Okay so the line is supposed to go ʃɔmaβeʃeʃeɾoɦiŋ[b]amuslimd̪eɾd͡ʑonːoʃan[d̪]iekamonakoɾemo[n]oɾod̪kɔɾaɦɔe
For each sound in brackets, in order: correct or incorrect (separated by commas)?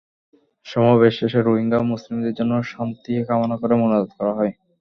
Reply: incorrect, incorrect, correct